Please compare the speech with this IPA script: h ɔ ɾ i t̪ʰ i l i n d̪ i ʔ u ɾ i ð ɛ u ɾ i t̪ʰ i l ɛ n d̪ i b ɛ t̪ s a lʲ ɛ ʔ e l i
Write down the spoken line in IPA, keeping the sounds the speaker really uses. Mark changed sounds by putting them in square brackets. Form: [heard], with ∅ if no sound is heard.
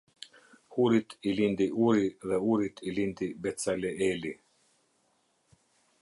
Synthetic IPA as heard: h [u] ɾ i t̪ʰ i l i n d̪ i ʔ u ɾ i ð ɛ u ɾ i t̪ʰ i l [i] n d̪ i b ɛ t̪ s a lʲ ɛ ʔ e l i